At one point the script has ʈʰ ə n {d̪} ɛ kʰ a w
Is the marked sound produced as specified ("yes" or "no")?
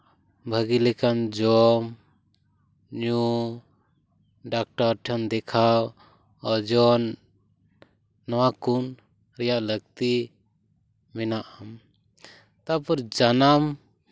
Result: yes